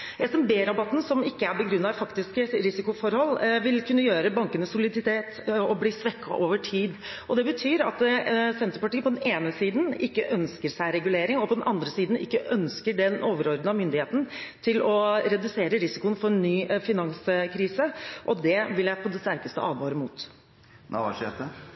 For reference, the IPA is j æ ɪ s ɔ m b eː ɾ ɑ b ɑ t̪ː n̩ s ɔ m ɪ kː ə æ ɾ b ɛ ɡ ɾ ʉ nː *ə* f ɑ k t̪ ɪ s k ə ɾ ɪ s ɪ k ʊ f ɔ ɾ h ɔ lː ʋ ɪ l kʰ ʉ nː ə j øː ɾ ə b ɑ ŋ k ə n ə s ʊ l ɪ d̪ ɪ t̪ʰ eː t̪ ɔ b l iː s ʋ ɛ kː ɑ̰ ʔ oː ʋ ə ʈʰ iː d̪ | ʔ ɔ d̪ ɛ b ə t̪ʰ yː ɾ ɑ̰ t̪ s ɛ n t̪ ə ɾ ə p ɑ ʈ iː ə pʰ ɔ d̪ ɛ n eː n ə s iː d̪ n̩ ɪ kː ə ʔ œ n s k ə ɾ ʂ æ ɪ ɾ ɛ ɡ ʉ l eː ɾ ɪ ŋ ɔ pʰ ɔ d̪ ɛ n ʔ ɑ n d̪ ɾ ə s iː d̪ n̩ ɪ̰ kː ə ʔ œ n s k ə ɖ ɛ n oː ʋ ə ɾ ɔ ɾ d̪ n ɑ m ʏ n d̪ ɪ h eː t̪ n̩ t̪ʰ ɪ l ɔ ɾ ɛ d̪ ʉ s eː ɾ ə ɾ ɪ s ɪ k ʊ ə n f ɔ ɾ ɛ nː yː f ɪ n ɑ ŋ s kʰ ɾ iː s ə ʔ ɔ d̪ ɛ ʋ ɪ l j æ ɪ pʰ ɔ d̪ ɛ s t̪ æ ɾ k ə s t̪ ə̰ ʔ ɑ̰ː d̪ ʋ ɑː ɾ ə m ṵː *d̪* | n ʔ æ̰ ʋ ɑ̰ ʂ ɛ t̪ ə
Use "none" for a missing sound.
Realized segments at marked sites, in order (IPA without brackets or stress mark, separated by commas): ɑ, t̪